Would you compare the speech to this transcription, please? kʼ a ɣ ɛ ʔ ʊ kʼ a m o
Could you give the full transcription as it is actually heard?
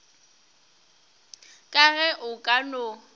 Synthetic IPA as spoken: kʼ a ɣ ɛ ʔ ʊ kʼ a n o

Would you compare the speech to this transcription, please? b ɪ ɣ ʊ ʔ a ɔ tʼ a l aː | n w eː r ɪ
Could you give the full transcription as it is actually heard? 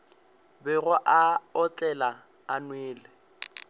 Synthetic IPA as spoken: b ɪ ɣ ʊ ʔ a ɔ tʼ ɛ l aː | n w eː l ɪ

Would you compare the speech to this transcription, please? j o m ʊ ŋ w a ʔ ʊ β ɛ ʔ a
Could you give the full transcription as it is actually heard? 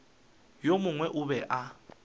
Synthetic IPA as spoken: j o m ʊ ŋ w ɛ ʔ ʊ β ɛ ʔ a

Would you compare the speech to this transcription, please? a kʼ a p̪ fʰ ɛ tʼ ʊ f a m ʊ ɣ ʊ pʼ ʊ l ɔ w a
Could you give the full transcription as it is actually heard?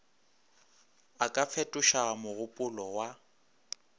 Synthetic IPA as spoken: a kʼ a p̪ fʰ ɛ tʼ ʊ ʃ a m ʊ ɣ ʊ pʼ ʊ l ɔ w a

